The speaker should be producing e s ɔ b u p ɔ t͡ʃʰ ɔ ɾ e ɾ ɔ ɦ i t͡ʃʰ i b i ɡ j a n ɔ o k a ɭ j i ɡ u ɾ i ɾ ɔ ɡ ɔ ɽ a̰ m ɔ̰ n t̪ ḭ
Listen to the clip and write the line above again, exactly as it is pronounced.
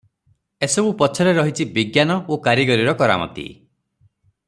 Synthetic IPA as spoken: e s ɔ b u p ɔ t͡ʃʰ ɔ ɾ e ɾ ɔ ɦ i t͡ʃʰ i b i ɡ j a n ɔ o k a ɾ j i ɡ ɔ ɾ i ɾ ɔ k ɔ ɾ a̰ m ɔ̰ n t̪ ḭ

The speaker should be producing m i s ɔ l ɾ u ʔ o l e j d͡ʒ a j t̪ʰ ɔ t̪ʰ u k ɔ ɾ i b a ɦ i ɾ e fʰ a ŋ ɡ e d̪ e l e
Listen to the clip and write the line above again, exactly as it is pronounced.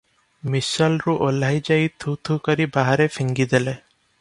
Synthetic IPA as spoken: m i s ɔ l ɾ u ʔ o l a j d͡ʒ a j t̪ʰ u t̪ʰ u k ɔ ɾ i b a ɦ a ɾ e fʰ i ŋ ɡ i d̪ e l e

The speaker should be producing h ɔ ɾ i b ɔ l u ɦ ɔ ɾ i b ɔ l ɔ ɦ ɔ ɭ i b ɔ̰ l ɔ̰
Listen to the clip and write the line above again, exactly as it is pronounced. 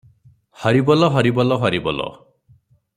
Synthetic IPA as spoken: h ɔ ɾ i b ɔ l ɔ ɦ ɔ ɾ i b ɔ l ɔ ɦ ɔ ɾ i b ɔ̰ l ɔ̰

